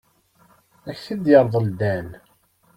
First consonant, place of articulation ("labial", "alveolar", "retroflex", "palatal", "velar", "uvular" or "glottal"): palatal